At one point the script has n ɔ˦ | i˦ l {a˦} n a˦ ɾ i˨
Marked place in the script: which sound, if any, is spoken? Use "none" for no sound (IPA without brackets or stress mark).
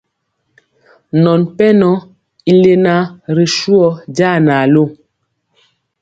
e˦